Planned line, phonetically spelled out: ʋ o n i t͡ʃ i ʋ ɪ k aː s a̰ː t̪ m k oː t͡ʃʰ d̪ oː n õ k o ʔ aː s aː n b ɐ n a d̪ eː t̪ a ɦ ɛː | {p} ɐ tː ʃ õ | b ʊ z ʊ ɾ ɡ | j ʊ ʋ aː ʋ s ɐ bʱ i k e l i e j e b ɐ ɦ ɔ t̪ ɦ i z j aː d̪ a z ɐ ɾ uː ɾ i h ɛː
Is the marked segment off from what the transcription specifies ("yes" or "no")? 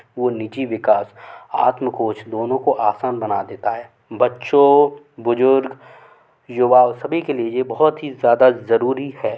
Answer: yes